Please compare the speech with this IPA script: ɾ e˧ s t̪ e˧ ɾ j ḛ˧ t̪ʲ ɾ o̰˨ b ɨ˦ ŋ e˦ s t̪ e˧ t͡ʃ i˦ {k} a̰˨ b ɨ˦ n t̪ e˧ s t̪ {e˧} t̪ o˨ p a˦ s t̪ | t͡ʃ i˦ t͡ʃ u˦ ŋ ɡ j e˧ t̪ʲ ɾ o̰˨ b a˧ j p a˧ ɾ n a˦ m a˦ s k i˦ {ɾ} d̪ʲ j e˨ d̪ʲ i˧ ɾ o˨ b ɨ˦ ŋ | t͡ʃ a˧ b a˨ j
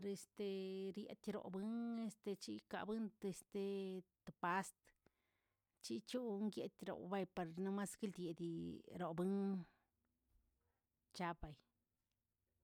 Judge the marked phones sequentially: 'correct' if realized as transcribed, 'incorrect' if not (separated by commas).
correct, correct, incorrect